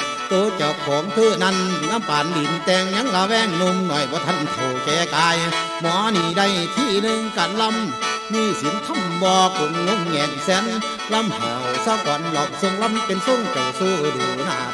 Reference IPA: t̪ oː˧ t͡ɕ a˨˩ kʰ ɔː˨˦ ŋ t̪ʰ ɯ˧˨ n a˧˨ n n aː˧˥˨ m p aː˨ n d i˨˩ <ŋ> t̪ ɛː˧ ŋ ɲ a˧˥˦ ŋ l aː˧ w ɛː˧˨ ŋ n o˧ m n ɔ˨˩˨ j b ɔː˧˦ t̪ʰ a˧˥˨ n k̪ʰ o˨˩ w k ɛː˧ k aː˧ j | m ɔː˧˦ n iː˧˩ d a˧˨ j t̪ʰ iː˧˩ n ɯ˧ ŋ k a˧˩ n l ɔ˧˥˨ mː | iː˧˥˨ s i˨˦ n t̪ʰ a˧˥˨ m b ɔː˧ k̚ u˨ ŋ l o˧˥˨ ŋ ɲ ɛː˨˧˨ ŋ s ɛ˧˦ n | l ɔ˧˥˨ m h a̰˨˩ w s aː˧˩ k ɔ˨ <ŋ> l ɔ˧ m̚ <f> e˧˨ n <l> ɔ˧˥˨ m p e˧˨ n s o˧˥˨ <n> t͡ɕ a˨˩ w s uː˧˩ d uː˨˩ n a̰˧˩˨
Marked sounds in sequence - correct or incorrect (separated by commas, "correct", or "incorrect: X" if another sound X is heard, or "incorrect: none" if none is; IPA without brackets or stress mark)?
incorrect: n, incorrect: n, incorrect: s, correct, incorrect: ŋ